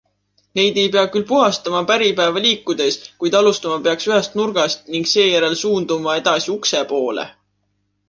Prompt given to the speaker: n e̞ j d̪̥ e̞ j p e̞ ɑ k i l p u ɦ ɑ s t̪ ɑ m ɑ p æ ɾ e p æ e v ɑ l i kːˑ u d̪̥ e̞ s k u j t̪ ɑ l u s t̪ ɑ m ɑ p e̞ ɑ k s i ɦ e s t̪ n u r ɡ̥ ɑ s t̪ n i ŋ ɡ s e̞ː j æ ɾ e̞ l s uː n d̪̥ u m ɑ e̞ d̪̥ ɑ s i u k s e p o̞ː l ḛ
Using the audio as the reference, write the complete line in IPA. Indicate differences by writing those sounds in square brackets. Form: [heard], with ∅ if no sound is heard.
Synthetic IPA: n e̞ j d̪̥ e̞ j p e̞ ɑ k [y] l p u ɦ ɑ s t̪ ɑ m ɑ p æ ɾ [i] p æ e v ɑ l [iː] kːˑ u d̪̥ e̞ s k u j [d̪] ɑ l u s t̪ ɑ m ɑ p e̞ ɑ k s [y] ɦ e s t̪ n u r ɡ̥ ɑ s t̪ n i ŋ ɡ s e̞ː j æ ɾ e̞ l s uː n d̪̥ u m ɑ e̞ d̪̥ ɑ s i u k s e p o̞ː l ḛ